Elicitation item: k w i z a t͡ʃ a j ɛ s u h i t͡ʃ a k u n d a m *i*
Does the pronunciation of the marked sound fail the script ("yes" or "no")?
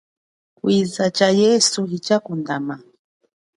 yes